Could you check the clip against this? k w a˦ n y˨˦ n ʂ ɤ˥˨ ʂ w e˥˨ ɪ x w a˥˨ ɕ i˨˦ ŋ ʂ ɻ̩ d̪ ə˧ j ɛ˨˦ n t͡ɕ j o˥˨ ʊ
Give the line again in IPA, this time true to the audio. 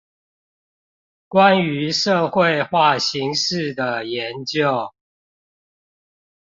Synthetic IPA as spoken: k w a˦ n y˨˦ ʂ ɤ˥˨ x w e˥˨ ɪ x w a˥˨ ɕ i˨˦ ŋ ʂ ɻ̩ d̪ ə˨˩ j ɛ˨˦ n t͡ɕ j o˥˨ ʊ